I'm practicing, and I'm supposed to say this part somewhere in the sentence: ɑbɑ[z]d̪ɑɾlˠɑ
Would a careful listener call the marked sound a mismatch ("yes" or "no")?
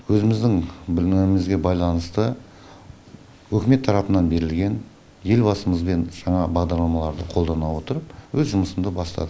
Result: yes